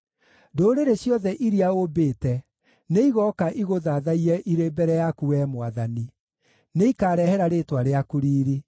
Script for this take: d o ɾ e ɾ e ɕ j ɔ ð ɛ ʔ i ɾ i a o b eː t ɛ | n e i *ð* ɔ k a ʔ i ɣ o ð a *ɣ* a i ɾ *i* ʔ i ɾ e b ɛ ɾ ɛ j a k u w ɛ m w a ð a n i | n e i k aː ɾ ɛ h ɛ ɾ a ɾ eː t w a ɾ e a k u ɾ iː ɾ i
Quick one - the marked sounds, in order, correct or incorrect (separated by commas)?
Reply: incorrect, incorrect, incorrect